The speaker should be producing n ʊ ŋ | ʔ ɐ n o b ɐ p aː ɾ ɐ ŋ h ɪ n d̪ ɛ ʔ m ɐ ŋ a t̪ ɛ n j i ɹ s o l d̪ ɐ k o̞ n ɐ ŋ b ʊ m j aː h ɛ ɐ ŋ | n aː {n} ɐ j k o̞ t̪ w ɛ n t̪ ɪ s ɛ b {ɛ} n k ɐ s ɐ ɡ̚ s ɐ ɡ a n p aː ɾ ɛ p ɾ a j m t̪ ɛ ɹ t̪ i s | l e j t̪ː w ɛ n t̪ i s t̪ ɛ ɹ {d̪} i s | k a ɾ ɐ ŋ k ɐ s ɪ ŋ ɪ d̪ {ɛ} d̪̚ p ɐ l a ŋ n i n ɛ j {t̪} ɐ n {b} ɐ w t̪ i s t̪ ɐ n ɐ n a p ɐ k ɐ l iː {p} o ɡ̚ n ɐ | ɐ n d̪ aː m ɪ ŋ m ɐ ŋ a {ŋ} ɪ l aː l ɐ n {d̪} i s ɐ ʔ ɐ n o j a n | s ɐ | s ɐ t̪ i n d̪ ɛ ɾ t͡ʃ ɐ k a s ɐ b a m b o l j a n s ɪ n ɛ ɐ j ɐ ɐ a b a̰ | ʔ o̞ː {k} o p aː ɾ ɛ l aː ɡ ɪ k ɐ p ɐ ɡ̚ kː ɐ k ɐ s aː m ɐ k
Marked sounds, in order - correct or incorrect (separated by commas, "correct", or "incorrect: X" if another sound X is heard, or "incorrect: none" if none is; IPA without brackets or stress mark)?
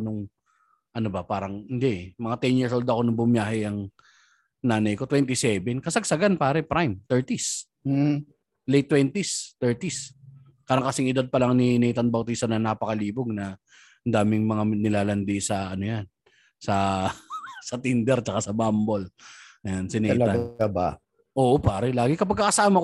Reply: correct, correct, incorrect: t̪, incorrect: a, correct, correct, incorrect: b, incorrect: n, correct, incorrect: ʔ